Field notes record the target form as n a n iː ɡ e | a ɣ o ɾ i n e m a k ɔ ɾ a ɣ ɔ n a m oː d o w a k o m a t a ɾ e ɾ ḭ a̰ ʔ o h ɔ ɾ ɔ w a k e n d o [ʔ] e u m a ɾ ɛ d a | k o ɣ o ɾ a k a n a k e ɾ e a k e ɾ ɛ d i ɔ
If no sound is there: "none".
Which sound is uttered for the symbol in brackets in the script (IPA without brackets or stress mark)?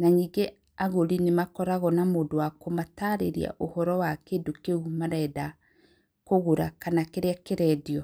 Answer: k